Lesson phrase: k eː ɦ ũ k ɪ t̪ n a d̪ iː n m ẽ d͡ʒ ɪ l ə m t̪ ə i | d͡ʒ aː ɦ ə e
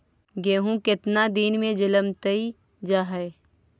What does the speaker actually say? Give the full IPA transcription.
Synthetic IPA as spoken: ɡ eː ɦ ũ k ɪ t̪ n a d̪ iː n m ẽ d͡ʒ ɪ l ə m t̪ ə i | d͡ʒ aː ɦ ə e